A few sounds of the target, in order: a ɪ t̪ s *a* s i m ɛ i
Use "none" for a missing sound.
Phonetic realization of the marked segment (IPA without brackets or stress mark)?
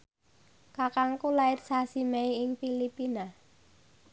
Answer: a